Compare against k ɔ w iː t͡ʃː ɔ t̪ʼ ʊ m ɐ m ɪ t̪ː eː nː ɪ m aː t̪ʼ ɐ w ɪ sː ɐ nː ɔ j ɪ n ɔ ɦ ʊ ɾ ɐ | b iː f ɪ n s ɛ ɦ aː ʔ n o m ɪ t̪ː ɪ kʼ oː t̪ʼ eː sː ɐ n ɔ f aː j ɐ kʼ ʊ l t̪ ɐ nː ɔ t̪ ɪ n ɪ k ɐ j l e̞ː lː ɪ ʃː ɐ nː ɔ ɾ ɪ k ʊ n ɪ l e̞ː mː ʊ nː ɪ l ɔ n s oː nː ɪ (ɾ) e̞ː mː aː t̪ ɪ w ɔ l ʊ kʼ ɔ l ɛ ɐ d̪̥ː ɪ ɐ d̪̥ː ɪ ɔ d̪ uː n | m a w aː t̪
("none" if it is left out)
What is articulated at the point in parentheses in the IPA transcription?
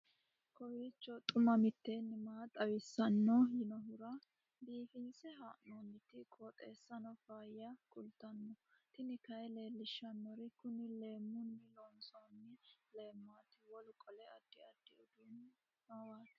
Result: l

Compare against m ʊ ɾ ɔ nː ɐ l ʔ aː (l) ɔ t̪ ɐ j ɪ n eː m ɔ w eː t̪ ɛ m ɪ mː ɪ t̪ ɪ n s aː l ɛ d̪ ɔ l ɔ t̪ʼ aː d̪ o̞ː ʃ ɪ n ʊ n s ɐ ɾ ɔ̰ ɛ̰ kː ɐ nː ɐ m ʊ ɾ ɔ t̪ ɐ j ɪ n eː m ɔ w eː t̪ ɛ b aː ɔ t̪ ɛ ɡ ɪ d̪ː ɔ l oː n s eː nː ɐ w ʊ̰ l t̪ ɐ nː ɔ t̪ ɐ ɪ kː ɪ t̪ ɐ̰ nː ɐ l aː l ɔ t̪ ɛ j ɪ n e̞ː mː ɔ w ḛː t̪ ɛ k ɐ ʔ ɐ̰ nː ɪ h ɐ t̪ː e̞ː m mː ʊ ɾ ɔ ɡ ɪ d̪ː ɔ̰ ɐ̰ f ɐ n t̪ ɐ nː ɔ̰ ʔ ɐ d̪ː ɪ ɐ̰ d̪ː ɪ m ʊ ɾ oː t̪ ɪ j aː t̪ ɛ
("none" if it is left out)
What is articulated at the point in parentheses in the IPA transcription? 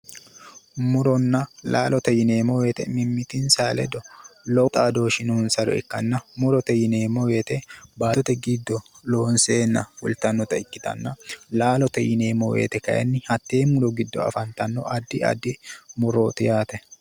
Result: l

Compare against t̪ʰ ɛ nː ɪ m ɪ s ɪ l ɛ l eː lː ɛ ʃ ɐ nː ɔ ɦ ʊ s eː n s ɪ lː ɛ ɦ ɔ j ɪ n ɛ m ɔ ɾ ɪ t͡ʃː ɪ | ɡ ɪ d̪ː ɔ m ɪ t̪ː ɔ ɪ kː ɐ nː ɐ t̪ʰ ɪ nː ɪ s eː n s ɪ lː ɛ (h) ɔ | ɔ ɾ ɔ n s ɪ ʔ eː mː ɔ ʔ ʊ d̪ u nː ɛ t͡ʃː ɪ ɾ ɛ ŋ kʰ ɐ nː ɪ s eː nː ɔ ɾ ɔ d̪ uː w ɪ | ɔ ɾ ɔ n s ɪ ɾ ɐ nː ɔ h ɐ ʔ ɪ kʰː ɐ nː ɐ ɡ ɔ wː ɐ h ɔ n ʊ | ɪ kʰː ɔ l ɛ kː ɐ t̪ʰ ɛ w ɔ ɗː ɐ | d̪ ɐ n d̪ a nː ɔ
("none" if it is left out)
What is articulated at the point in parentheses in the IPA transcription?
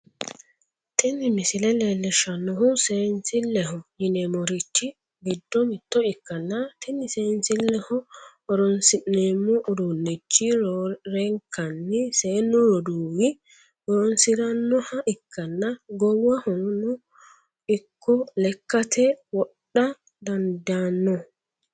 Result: h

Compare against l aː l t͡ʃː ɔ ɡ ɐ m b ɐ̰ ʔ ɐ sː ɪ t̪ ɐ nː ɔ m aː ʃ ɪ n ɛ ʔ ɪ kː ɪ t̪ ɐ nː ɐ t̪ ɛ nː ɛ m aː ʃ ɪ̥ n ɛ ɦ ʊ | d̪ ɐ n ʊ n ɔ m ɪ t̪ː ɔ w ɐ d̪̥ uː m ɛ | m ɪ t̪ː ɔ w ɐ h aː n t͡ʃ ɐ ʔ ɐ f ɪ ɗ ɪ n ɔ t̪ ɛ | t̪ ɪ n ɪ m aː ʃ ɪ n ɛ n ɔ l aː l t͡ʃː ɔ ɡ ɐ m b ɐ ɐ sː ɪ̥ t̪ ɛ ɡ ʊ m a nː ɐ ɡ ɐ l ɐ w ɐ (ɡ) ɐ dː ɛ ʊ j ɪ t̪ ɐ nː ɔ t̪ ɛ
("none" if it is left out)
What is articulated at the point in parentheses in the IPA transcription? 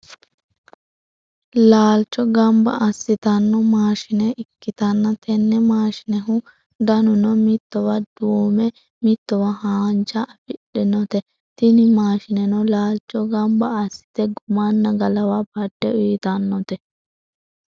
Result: b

